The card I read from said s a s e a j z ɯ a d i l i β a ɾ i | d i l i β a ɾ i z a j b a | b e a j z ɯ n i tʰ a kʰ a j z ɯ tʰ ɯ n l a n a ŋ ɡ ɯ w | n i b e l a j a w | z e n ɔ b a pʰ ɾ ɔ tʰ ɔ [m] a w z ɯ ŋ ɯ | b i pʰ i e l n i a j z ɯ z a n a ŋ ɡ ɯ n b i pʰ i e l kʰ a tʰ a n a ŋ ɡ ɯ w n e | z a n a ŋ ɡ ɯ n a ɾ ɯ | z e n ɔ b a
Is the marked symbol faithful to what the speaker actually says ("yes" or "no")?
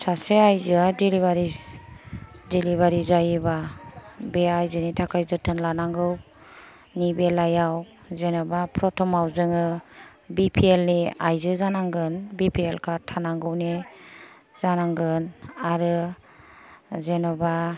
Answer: yes